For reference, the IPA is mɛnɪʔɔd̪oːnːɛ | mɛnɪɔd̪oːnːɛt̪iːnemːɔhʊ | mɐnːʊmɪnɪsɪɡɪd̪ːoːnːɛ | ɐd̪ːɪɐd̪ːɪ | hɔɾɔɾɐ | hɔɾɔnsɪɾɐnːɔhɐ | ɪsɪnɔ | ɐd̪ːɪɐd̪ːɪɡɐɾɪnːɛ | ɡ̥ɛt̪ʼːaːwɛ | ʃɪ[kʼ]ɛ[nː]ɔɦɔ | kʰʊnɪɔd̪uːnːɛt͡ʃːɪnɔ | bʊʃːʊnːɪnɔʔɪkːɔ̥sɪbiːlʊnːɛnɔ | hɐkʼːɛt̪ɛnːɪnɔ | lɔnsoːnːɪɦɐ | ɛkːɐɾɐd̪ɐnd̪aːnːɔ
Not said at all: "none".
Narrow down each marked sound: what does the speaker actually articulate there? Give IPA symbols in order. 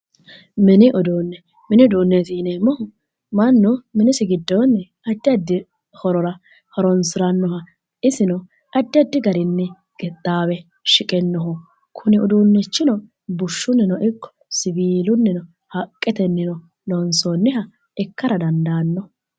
kʼ, nː

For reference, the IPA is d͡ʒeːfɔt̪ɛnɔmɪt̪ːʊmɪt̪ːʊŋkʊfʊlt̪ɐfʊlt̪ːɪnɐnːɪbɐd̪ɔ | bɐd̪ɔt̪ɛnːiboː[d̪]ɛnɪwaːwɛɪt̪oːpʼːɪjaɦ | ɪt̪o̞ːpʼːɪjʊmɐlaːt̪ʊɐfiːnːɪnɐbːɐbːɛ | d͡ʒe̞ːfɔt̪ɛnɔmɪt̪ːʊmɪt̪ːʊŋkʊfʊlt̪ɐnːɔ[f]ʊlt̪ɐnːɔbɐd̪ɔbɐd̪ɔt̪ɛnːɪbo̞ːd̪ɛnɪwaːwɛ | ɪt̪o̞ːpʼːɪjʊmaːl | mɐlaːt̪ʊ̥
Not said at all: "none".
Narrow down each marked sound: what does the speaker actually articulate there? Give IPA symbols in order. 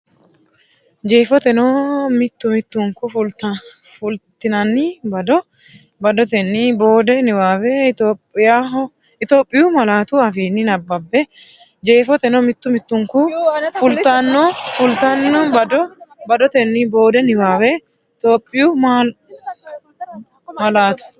d̪, f

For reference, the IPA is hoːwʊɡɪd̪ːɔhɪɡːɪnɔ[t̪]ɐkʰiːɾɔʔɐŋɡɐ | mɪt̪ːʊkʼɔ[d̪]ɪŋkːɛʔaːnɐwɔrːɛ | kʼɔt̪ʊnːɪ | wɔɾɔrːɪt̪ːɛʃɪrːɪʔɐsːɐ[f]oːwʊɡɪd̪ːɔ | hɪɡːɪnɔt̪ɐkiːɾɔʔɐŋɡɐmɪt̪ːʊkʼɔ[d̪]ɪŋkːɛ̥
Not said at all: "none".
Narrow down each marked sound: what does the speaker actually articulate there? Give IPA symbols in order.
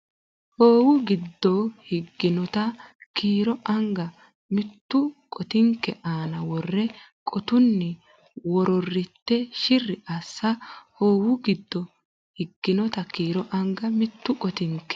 t̪, t̪, h, t̪

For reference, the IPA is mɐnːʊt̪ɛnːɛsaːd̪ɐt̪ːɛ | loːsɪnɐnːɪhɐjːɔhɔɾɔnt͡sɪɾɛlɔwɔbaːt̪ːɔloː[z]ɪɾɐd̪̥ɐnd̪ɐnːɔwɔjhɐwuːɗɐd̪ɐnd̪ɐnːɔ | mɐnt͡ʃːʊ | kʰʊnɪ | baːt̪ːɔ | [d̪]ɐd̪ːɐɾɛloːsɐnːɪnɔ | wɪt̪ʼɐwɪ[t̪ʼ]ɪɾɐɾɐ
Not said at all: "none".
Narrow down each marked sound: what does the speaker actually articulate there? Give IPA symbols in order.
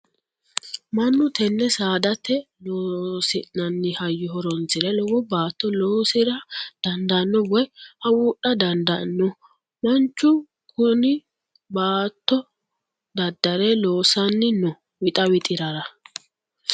s, d̪, t̪ʼ

